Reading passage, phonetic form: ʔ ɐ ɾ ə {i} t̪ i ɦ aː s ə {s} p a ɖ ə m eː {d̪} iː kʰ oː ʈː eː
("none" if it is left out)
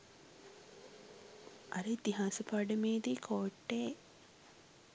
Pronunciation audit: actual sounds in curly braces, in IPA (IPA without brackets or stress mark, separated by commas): i, none, d̪